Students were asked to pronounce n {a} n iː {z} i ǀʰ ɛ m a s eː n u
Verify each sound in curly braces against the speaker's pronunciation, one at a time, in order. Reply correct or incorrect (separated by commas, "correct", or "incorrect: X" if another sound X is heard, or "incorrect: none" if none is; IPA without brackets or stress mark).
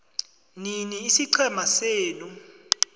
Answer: incorrect: i, incorrect: s